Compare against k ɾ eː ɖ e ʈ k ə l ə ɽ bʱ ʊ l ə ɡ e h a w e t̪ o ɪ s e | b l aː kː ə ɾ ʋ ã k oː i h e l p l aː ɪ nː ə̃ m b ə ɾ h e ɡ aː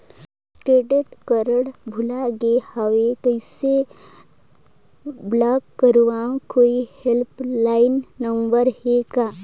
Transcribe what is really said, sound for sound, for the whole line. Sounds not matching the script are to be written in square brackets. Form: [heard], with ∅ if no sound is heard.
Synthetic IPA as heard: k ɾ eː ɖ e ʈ k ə [ɾ] ə ɽ bʱ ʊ l [a] ɡ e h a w e t̪ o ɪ s e | b l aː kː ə ɾ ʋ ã k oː i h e l p l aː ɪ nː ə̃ m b ə ɾ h e ɡ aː